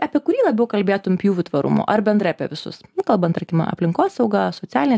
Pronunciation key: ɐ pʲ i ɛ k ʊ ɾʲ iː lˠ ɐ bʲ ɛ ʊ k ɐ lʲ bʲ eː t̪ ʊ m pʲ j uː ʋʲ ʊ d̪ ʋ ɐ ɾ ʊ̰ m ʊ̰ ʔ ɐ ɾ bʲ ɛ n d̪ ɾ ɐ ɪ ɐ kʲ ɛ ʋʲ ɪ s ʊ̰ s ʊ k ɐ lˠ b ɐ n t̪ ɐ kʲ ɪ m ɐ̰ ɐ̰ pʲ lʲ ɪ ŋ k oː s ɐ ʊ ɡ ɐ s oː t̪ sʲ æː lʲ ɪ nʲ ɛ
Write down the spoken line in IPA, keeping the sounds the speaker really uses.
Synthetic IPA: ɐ pʲ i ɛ k ʊ ɾʲ iː lˠ ɐ bʲ ɛ ʊ k ɐ lʲ bʲ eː t̪ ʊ m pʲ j uː ʋʲ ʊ t̪ ʋ ɐ ɾ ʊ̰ m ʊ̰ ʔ ɐ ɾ bʲ ɛ n d̪ ɾ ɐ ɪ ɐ pʲ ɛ ʋʲ ɪ s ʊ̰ s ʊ k ɐ lˠ b ɐ n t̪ ɐ kʲ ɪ m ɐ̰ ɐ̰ pʲ lʲ ɪ ŋ k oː s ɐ ʊ ɡ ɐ s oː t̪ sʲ æː lʲ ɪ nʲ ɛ

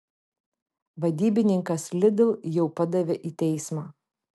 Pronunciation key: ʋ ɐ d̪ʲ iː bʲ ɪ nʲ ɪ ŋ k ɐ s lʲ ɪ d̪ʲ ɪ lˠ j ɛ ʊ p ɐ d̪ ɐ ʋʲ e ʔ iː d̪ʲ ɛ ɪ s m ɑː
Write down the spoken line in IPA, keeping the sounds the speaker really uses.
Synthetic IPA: ʋ ɐ d̪ʲ iː bʲ ɪ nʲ ɪ ŋ k ɐ s lʲ ɪ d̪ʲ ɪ lˠ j ɛ ʊ p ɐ d̪ ɐ ʋʲ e ʔ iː t̪ʲ ɛ ɪ s m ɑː

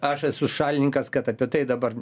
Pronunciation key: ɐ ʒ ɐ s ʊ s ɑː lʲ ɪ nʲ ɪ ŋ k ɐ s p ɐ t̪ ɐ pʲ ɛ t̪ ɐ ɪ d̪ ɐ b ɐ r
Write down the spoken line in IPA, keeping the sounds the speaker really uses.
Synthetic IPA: ɐ ʃ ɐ s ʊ ʃ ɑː lʲ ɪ nʲ ɪ ŋ k ɐ s k ɐ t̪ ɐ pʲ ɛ t̪ ɐ ɪ d̪ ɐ b ɐ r

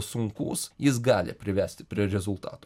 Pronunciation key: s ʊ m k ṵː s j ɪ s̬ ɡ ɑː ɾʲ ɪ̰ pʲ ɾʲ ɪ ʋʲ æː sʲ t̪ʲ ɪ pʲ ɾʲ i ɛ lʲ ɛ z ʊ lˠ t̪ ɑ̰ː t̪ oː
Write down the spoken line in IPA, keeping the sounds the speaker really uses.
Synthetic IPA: s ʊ ŋ k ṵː s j ɪ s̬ ɡ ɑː lʲ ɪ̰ pʲ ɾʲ ɪ ʋʲ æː sʲ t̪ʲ ɪ pʲ ɾʲ i ɛ ɾʲ ɛ z ʊ lˠ t̪ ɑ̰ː t̪ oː

